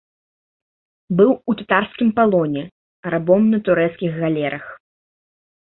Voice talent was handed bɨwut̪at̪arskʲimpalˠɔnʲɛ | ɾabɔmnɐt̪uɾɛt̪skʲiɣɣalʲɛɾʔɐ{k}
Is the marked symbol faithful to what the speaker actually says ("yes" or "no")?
no